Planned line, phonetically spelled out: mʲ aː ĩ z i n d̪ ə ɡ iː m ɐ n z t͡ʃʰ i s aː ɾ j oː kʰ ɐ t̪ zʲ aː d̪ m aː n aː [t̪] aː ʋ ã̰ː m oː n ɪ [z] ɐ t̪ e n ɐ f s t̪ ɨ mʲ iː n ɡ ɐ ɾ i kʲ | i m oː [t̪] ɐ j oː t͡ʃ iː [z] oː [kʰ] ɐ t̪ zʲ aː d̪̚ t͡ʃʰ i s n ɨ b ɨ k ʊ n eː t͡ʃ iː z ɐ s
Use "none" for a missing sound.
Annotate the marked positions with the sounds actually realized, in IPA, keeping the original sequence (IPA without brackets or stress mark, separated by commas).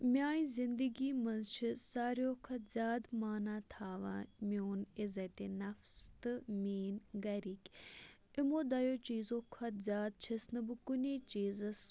t̪ʰ, z, d̪, z, kʰ